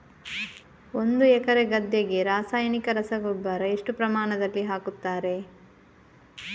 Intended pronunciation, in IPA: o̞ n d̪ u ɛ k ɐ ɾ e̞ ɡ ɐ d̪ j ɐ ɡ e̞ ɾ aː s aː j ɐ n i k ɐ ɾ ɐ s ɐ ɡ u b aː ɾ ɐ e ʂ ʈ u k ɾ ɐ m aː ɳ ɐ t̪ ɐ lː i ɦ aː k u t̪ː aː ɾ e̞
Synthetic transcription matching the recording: o̞ n d̪ u ɛ k ɐ ɾ e̞ ɡ ɐ d̪ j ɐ ɡ e̞ ɾ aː s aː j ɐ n i k ɐ ɾ ɐ s ɐ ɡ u b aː ɾ ɐ e ʂ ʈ u p ɾ ɐ m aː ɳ ɐ d̪ ɐ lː i ɦ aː k u t̪ː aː ɾ e̞